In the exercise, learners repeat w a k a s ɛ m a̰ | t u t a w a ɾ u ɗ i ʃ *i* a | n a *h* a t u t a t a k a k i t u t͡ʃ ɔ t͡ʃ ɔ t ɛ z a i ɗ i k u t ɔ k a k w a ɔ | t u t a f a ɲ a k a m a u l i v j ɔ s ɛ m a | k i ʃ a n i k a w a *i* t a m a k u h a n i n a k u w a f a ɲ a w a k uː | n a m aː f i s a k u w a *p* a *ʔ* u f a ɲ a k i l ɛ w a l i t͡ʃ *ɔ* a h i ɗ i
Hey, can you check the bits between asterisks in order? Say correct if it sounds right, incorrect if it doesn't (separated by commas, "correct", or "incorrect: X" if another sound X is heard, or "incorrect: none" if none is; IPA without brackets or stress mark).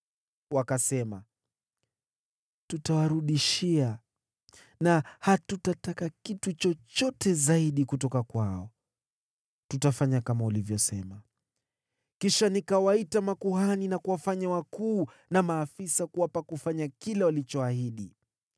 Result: correct, correct, correct, correct, incorrect: k, correct